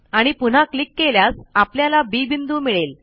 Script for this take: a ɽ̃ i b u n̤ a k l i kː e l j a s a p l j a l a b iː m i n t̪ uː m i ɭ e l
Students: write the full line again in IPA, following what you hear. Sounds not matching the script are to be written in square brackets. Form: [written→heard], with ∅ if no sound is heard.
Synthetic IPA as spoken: a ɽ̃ i [b→p] u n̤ a k l i kː e l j a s a p l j a l a b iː [m→b] i n [t̪→d̪] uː m i ɭ e l

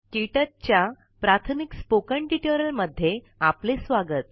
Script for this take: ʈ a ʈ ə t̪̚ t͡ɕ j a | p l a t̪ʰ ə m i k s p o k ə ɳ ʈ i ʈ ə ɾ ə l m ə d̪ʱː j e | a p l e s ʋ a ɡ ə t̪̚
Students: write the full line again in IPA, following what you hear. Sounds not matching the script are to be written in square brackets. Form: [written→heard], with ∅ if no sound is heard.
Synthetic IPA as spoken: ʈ [a→i] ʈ ə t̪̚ t͡ɕ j a | p [l→ɾ] a t̪ʰ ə m i k s p o k ə ɳ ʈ i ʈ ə ɾ ə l m ə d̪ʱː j e | a p l e s ʋ a ɡ ə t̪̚

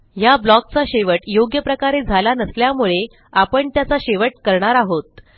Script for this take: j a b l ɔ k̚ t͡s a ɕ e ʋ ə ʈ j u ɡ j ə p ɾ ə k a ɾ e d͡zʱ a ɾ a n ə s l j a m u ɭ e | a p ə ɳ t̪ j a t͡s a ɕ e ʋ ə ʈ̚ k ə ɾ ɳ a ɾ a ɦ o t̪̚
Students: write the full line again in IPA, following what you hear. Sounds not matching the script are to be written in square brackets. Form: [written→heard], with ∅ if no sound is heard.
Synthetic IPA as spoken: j a b l ɔ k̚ t͡s a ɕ e ʋ ə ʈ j [u→o] ɡ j ə p ɾ ə k a ɾ e d͡zʱ a [ɾ→l] a n ə s l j a m u ɭ e | a p ə ɳ t̪ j a t͡s a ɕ e ʋ ə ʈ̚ k ə ɾ ɳ a ɾ a ɦ o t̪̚

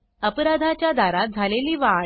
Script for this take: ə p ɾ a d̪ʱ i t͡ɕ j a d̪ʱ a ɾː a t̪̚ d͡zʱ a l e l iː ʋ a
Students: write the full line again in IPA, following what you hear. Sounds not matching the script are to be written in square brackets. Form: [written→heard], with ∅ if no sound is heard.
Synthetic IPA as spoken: ə p ɾ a d̪ʱ [i→a] t͡ɕ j a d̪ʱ a [ɾː→ɾ] a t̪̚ d͡zʱ a l e l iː ʋ a

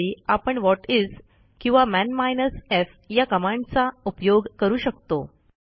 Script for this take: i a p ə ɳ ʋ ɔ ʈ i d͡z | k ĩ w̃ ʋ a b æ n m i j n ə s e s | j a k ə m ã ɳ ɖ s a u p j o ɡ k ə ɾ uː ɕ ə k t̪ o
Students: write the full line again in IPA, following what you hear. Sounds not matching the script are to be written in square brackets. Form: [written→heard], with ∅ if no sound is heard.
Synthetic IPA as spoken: i a p ə ɳ ʋ ɔ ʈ i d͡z | k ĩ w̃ ʋ a [b→m] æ n m [i→a] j n ə s e [s→f] | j a k ə m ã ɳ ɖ [s→t͡s] a u p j o ɡ k ə ɾ uː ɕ ə k t̪ o

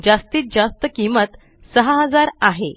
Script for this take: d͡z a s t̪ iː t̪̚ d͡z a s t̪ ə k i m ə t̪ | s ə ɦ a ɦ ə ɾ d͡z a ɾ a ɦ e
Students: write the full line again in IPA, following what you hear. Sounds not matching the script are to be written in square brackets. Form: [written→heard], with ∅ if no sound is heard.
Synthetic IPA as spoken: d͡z a s t̪ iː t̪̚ d͡z a s t̪ ə k i m ə t̪ | s ə ɦ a ɦ ə [ɾ→∅] d͡z a ɾ a ɦ e

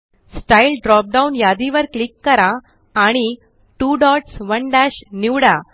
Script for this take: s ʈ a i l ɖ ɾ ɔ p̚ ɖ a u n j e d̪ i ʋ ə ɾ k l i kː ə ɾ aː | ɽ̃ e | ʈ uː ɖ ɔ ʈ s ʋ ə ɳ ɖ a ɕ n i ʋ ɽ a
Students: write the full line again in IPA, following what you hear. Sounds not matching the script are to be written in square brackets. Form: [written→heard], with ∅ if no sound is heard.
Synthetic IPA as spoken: s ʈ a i l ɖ ɾ ɔ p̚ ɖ a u n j [e→a] d̪ i ʋ ə ɾ k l i kː ə ɾ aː | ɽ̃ [e→i] | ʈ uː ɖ ɔ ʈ s ʋ ə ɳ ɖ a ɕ n i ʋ ɽ a

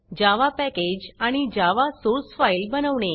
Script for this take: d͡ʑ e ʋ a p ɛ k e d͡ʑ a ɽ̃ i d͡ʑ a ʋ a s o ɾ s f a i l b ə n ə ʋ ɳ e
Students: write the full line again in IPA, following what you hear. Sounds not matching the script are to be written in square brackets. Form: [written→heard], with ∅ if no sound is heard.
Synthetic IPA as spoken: d͡ʑ [e→a] ʋ a p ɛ k e d͡ʑ a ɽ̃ i d͡ʑ a ʋ a s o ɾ s f a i l b ə n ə ʋ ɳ e

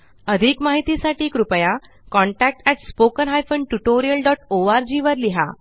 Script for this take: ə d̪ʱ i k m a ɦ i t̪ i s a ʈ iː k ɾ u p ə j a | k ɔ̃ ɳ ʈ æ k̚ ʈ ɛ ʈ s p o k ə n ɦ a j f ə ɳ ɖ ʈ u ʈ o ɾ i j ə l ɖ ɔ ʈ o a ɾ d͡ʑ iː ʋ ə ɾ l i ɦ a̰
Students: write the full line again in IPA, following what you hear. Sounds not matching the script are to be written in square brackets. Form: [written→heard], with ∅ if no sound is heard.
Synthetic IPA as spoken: ə d̪ʱ i k m a ɦ i t̪ i s a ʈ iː k ɾ u p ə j a | k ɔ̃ ɳ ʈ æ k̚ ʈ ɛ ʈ s p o k ə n ɦ a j f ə ɳ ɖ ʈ u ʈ o ɾ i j ə l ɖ ɔ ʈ o a ɾ d͡ʑ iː ʋ ə ɾ l i ɦ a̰

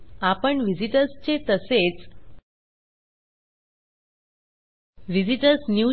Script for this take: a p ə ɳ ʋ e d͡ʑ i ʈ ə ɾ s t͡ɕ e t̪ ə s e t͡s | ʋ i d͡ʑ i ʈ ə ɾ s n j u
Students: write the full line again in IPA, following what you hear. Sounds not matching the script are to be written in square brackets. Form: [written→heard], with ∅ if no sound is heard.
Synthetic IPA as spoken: a p ə ɳ ʋ [e→i] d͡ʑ i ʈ ə ɾ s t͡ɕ e t̪ ə s e t͡s | ʋ i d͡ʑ i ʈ ə ɾ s n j u

